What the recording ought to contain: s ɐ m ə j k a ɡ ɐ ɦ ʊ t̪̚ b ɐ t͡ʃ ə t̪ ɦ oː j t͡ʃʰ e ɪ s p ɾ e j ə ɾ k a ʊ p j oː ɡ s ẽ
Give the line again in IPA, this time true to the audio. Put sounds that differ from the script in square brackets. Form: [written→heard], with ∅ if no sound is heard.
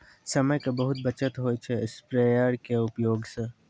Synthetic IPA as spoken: s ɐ m ə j k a [ɡ→b] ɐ ɦ ʊ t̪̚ b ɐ t͡ʃ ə t̪ ɦ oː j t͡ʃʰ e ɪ s p ɾ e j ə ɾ k [a→e] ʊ p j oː ɡ s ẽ